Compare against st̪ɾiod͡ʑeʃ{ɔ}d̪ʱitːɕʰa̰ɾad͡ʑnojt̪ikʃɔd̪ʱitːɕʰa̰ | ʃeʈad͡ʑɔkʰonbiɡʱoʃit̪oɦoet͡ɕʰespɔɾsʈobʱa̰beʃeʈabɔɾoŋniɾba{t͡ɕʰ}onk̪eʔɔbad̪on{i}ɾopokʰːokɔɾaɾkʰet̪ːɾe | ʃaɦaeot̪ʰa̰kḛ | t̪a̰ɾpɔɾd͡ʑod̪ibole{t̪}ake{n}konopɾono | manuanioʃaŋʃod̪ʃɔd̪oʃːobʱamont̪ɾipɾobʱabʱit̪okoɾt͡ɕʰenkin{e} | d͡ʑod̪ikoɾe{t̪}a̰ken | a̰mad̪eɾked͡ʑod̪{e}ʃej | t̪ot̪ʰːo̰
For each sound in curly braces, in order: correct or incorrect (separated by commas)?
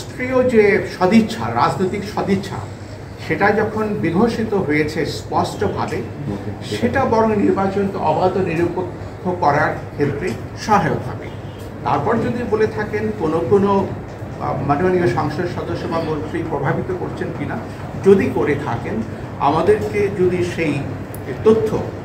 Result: correct, incorrect, correct, incorrect, correct, incorrect, incorrect, incorrect